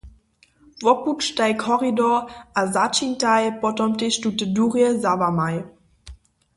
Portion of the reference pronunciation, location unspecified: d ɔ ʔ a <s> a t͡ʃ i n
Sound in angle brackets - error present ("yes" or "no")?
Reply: yes